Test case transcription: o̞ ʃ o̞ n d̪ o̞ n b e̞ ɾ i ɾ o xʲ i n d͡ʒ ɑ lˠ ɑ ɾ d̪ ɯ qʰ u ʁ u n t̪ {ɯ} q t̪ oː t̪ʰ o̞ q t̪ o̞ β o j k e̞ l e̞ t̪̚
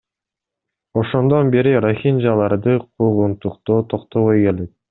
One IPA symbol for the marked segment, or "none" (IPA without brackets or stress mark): u